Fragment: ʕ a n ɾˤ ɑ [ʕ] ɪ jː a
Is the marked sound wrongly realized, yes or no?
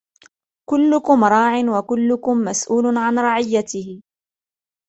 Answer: no